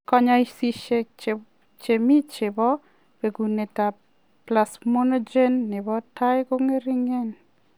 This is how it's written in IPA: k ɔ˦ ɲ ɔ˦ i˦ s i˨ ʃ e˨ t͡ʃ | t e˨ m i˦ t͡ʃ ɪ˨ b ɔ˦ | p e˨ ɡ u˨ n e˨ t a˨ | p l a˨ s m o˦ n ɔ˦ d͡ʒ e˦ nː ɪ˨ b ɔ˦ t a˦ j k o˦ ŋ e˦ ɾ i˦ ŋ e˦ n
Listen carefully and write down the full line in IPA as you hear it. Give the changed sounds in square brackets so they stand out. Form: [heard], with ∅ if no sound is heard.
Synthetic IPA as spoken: k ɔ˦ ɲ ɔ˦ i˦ s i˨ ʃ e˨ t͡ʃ | [t͡ʃ] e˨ m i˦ t͡ʃ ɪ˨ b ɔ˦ | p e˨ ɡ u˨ n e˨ t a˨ | p l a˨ s m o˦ n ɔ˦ d͡ʒ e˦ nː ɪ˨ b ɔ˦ t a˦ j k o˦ ŋ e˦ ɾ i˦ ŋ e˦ n